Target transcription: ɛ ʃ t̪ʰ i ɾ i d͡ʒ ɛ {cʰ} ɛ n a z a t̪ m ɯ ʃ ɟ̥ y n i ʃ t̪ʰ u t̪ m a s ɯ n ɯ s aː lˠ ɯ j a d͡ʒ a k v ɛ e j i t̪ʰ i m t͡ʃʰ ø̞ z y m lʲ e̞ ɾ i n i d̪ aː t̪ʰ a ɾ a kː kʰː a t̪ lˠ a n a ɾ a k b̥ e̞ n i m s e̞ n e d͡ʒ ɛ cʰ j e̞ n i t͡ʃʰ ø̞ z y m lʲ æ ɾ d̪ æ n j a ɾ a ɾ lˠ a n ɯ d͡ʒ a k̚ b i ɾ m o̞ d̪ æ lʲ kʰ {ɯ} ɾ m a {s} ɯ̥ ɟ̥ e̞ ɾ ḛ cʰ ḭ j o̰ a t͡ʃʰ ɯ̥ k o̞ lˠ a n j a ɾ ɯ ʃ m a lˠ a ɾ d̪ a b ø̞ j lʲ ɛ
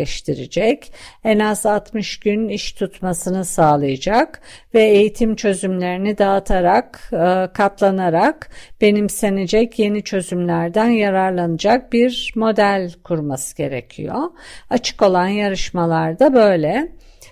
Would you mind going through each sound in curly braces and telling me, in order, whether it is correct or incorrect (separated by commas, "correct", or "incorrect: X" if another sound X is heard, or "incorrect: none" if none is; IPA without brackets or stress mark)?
incorrect: c, incorrect: u, correct